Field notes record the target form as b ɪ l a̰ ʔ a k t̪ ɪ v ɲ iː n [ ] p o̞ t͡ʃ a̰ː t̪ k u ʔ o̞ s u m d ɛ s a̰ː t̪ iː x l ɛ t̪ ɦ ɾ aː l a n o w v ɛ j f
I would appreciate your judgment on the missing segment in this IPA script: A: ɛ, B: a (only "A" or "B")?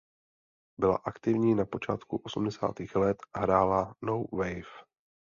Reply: B